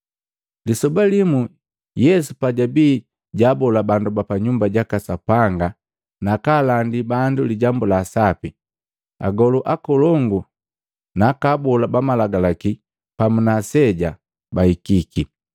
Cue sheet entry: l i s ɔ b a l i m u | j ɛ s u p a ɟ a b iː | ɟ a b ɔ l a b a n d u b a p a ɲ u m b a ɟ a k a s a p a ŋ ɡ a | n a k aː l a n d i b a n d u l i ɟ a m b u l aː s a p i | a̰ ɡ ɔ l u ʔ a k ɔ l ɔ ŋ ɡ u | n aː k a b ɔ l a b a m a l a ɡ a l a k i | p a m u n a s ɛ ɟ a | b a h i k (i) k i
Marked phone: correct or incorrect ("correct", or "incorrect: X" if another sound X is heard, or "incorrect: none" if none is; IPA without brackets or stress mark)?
correct